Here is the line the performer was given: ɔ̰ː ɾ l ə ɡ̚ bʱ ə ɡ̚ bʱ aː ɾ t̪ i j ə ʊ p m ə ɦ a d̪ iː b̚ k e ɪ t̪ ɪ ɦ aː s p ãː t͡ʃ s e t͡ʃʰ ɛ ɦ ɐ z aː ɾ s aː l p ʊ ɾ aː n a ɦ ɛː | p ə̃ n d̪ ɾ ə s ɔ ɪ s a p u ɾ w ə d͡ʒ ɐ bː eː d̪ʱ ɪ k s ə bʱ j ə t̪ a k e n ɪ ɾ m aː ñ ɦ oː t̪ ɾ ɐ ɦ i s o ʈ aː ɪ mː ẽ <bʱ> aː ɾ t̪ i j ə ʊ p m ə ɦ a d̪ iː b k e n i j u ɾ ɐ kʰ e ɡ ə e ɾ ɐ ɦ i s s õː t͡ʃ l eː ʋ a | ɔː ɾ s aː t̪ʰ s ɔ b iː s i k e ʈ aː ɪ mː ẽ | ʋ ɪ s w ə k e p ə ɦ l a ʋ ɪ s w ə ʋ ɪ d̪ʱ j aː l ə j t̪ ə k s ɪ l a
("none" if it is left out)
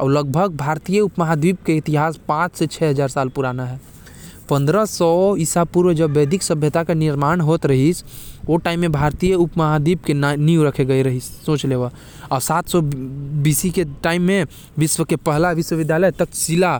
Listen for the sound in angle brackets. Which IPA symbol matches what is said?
bʱ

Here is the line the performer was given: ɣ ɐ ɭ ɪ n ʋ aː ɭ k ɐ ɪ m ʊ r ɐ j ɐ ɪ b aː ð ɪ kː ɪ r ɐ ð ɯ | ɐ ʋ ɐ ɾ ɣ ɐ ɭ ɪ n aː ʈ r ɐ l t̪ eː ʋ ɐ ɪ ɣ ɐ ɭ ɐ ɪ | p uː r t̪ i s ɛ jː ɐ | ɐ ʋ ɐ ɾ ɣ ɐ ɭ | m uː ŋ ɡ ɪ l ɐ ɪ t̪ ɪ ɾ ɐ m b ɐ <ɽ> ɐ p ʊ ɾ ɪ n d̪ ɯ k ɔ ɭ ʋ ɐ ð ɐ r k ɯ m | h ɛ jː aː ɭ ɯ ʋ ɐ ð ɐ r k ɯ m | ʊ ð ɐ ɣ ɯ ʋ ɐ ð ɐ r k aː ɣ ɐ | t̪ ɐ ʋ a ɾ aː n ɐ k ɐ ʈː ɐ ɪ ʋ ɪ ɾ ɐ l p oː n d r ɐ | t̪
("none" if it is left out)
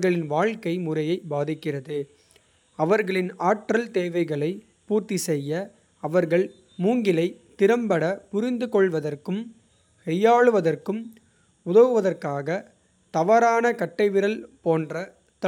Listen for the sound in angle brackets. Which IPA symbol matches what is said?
ɽ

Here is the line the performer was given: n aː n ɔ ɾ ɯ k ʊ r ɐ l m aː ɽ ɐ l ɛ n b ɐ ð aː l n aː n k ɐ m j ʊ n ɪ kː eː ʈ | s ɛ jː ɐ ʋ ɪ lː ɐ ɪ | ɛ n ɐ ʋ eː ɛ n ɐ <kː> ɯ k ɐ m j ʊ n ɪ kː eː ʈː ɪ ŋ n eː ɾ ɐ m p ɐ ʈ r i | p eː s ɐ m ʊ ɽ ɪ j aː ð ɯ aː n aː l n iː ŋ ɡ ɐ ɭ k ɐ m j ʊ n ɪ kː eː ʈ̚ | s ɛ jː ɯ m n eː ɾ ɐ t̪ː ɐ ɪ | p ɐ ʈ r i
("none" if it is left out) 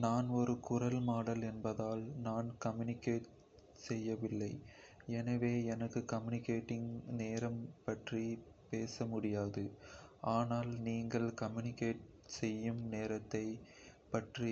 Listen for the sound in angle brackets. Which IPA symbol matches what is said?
kː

